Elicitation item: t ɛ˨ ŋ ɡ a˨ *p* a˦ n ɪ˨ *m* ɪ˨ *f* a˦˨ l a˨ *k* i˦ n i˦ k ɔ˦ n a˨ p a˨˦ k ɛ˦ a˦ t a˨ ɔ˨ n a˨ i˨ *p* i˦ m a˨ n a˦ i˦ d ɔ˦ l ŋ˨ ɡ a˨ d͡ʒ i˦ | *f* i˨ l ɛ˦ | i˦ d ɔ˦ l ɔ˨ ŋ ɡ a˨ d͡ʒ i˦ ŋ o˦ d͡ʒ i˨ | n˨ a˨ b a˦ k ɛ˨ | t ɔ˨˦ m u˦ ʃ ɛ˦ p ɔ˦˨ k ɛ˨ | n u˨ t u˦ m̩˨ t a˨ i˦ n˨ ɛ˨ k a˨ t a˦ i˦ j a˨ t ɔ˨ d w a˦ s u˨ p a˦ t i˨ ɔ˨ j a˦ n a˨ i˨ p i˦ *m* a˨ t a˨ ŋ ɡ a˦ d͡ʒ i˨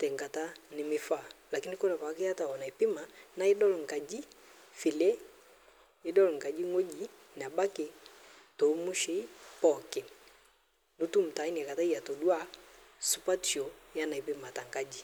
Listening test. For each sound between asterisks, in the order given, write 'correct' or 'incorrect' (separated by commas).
incorrect, correct, correct, correct, correct, correct, correct